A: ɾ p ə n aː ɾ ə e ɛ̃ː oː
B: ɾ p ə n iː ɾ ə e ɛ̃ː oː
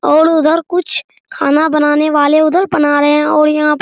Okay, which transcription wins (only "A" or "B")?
A